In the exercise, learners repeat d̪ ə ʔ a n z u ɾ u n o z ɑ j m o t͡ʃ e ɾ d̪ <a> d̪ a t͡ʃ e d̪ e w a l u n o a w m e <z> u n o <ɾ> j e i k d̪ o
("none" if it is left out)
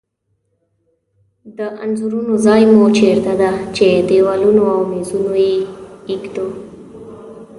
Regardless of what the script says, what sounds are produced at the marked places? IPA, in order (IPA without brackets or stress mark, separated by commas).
a, z, none